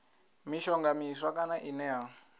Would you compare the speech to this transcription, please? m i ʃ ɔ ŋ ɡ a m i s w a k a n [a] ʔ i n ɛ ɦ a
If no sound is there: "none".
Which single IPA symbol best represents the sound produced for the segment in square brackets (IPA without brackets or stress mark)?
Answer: a